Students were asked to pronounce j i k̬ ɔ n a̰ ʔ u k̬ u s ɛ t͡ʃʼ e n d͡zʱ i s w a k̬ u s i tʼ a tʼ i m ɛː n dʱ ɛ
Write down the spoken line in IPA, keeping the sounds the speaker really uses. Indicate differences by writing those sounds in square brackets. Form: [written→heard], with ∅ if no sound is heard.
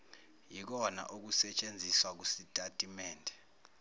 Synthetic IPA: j i k̬ ɔ n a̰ ʔ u k̬ u s ɛ t͡ʃʼ e n d͡zʱ i s w a k̬ u s i tʼ a tʼ i m ɛː n dʱ ɛ